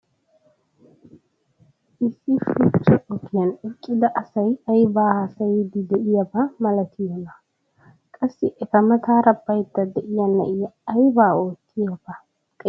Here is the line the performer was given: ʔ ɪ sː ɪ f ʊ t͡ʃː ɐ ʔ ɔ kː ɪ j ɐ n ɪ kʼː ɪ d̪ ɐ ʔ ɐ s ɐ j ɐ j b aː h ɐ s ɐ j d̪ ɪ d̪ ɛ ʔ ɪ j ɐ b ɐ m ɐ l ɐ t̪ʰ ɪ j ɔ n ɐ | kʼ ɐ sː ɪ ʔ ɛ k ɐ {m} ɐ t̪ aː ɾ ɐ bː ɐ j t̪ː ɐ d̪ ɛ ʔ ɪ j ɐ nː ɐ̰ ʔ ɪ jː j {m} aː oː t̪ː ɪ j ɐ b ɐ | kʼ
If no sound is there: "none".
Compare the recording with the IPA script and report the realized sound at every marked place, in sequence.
m, b

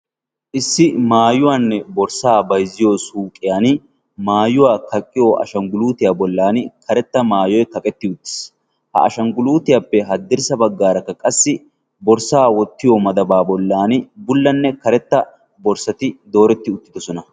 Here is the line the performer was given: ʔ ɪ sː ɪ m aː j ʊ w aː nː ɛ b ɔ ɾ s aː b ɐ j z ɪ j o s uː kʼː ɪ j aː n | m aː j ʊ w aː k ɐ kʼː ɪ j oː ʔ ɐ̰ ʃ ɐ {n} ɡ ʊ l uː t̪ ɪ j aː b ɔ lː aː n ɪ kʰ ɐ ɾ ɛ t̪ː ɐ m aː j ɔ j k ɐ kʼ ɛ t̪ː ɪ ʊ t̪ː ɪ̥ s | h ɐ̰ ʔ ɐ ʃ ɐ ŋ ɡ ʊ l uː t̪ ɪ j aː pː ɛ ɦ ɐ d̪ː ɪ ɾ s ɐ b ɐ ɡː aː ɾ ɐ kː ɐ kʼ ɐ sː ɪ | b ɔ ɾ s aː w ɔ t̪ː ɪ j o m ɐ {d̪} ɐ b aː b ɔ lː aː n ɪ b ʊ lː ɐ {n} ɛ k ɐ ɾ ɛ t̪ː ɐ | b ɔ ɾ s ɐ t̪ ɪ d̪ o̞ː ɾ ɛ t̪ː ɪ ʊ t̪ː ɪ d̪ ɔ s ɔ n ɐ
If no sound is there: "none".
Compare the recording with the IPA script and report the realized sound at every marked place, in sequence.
ŋ, d̪, nː

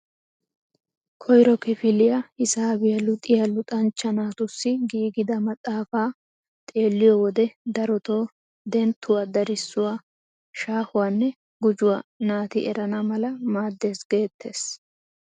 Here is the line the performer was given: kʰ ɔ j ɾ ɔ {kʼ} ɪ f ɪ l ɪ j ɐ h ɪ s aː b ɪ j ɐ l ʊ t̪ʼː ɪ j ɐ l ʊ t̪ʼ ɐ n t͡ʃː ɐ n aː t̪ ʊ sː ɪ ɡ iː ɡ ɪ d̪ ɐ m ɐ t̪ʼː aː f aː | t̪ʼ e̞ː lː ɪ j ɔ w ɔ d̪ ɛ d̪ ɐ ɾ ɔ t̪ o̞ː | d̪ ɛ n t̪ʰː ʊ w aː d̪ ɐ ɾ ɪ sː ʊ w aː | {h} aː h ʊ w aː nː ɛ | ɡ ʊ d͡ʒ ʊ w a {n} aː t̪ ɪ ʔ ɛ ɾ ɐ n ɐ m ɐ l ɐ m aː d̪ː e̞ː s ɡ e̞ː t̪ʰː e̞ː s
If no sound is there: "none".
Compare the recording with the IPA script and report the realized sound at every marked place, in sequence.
k, ʃ, n

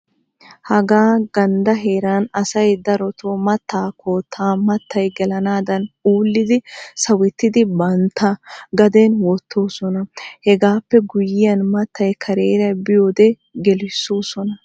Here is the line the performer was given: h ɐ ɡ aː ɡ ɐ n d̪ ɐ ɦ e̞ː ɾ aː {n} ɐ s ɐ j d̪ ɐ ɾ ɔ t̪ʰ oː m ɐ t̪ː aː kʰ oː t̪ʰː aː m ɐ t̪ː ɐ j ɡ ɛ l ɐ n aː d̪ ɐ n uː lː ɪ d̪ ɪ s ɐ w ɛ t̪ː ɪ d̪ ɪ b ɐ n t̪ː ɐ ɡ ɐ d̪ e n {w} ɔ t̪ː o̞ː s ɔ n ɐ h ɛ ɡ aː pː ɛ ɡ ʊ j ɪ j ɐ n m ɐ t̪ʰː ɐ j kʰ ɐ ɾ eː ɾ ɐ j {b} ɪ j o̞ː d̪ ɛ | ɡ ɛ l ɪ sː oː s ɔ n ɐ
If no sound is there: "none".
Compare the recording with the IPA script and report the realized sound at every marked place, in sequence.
n, w, b

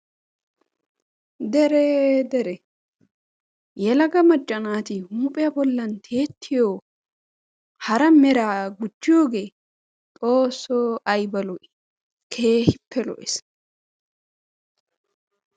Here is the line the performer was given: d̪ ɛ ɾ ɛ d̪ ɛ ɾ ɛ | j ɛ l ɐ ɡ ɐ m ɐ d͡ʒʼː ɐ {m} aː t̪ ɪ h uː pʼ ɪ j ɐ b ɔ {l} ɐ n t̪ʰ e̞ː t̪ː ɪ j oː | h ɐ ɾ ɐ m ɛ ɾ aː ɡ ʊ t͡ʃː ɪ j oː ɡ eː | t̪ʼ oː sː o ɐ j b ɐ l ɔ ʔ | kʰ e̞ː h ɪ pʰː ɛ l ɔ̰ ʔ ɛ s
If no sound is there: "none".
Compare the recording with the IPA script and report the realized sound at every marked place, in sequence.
n, lː

